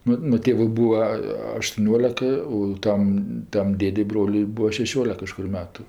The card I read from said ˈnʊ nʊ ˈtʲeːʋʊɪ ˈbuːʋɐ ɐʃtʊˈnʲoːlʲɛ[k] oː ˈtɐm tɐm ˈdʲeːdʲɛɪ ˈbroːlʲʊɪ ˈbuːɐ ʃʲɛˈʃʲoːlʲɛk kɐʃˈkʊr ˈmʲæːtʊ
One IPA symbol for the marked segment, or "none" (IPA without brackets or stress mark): k